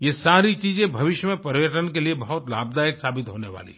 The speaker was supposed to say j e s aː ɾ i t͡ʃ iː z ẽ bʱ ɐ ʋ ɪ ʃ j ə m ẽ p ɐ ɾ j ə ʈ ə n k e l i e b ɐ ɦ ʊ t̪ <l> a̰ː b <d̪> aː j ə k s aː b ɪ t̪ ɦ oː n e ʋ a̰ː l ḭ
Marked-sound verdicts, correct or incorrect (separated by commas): correct, correct